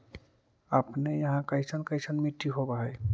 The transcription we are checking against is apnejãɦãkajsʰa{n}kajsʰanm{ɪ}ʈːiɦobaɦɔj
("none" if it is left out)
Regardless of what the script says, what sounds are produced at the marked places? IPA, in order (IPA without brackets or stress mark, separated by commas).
n, i